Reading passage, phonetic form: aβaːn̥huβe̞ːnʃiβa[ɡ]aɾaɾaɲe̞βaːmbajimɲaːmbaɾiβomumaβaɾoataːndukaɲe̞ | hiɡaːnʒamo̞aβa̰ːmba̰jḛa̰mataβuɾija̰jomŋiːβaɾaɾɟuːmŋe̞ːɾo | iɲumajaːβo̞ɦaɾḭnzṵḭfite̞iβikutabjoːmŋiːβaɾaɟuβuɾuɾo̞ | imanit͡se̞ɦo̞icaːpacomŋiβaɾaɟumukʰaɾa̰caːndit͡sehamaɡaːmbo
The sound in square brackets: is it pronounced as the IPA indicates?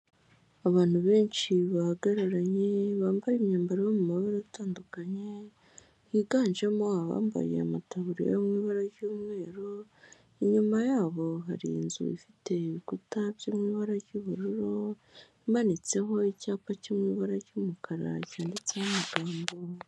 yes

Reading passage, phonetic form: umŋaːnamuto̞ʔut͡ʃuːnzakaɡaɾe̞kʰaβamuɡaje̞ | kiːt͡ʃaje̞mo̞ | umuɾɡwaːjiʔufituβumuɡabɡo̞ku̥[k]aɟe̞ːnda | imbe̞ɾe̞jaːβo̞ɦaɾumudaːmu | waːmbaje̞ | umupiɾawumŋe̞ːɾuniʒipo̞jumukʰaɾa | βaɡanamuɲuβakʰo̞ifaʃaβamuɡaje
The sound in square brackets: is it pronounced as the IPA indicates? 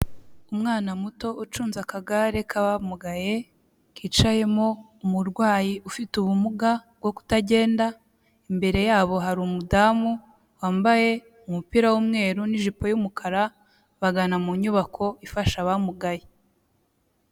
no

